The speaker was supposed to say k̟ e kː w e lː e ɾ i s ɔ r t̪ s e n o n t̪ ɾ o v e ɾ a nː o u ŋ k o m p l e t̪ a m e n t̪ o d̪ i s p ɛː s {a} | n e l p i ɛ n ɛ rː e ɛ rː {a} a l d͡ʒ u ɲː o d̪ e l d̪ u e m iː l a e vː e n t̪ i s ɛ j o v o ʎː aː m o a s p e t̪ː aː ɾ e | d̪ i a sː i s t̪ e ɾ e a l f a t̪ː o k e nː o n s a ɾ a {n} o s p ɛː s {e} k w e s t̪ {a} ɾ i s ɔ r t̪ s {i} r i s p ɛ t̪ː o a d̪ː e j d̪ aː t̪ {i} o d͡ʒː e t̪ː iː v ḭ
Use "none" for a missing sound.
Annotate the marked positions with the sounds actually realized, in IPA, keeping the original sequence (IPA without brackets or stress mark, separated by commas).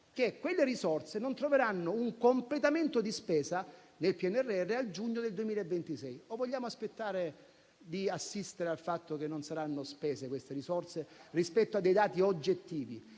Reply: a, e, nː, e, e, e, i